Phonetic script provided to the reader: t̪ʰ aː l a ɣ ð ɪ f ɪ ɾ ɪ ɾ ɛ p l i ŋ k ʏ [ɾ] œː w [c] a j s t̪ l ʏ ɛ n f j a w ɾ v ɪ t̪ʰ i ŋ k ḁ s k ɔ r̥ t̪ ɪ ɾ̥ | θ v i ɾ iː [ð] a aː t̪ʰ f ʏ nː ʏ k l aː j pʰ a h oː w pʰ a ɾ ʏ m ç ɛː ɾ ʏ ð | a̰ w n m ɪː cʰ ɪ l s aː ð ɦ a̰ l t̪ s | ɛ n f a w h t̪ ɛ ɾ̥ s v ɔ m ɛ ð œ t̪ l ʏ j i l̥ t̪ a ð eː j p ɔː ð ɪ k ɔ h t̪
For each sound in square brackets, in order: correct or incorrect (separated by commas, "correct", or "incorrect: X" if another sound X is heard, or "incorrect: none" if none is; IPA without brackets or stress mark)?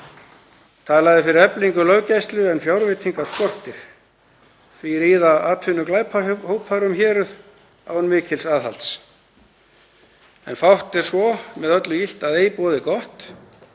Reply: incorrect: l, correct, correct